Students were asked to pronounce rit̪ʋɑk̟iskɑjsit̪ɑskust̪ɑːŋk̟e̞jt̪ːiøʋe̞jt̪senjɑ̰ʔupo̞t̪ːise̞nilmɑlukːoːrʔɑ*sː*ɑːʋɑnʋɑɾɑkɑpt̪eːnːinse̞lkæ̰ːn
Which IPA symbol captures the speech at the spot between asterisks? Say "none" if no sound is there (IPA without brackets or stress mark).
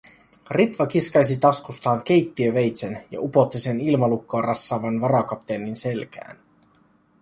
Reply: sː